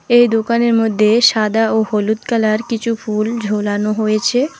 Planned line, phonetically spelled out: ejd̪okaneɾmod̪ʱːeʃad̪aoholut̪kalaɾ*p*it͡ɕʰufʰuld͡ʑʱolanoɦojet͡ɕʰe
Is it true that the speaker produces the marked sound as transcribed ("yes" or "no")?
no